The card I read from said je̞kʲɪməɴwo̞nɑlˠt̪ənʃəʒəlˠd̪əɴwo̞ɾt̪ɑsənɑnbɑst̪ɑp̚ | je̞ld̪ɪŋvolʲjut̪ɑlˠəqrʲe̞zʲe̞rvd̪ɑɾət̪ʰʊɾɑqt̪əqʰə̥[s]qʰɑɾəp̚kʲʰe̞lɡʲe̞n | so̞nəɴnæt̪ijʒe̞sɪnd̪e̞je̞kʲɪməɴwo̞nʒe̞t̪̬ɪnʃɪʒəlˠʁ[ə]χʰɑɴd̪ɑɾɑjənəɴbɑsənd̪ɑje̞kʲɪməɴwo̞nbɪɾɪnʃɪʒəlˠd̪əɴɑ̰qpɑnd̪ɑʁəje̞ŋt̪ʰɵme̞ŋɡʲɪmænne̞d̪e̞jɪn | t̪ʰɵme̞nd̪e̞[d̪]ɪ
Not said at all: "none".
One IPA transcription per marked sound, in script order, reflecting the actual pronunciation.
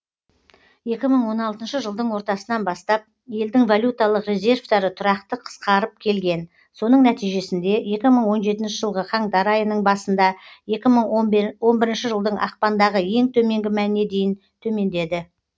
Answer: s, ə, d̪

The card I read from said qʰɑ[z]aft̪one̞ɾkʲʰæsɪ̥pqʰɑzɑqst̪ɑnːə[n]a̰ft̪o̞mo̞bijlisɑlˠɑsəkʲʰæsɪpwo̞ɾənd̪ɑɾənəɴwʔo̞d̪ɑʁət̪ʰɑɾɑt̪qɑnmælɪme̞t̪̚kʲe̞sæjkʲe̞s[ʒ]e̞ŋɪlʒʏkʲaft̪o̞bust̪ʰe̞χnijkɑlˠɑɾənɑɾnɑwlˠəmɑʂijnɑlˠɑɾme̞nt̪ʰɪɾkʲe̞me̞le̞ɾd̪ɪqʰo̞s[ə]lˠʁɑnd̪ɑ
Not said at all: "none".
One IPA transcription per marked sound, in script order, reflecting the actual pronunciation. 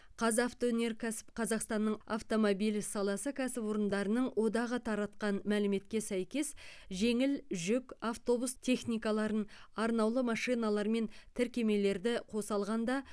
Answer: z, ɴ, ʒ, ɑ

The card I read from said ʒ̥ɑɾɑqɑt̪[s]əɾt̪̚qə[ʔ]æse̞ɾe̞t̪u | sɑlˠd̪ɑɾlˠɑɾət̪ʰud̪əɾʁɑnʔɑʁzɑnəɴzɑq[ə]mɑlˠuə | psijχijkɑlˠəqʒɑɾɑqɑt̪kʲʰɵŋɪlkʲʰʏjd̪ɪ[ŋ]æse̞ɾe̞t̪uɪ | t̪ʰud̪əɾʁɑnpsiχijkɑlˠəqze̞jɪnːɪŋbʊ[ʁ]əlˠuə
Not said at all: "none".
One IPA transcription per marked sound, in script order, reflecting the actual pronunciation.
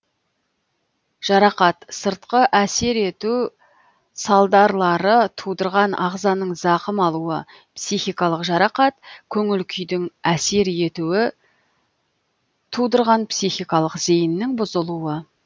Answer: s, ʔ, ə, ŋ, z

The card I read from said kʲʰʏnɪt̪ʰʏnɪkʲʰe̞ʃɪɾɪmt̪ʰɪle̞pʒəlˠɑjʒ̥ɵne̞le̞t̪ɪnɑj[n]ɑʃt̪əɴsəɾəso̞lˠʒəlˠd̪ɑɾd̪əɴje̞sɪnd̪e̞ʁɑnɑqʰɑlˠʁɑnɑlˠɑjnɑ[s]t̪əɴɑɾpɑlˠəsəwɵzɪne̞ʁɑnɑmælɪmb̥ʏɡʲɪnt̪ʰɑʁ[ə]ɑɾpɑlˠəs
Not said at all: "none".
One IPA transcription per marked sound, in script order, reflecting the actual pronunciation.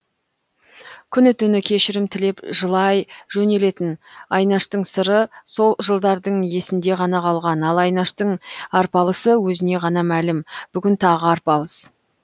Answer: n, ʃ, ə

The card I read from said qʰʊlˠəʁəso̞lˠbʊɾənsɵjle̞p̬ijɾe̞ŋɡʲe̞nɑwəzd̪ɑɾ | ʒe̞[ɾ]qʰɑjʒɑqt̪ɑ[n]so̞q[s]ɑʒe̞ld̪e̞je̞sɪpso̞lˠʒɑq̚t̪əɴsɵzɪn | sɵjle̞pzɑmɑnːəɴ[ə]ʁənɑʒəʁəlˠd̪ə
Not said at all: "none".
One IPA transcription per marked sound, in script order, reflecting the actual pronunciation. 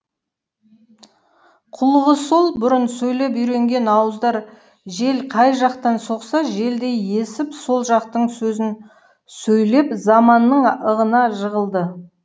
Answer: l, n, s, ə

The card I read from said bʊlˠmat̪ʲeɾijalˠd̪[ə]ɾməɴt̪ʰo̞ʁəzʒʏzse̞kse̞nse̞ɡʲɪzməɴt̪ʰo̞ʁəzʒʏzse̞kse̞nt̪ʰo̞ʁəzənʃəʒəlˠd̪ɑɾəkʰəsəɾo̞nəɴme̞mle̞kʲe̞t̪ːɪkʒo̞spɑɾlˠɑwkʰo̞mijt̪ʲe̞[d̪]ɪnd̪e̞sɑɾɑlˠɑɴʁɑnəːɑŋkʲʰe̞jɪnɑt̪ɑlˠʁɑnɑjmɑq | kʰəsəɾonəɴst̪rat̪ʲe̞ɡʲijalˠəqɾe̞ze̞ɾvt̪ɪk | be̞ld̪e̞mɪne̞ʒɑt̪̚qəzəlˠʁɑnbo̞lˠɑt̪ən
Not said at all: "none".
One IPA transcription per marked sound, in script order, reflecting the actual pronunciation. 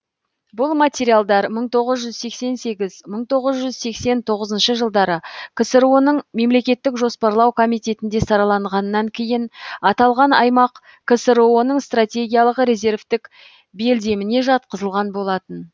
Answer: ɑ, t̪

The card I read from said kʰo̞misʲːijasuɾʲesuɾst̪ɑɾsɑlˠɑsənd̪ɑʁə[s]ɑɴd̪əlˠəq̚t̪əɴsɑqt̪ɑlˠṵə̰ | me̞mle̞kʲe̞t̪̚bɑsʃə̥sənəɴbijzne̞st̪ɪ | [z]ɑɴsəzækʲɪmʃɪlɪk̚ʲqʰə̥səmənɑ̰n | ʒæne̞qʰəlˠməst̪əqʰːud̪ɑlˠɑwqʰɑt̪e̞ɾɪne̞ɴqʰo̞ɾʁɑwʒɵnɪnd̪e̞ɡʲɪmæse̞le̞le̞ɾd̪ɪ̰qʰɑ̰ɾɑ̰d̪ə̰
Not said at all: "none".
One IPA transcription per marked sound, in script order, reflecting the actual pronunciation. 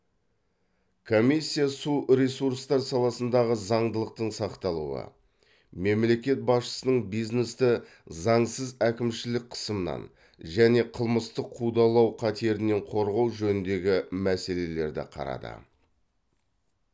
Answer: z, z

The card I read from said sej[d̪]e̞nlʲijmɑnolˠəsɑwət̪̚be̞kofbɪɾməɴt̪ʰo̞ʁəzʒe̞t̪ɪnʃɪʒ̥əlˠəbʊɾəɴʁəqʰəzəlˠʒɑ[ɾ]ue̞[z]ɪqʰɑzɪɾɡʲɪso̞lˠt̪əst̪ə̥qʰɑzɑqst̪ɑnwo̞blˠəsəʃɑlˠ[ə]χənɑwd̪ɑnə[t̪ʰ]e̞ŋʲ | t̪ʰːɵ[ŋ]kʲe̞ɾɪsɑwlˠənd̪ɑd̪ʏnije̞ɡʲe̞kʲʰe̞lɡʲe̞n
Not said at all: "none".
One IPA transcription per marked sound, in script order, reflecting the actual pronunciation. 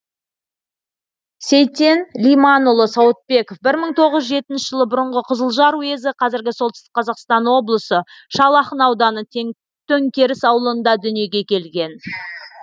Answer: t̪, ɾ, z, ɑ, t̪ʰ, ŋ

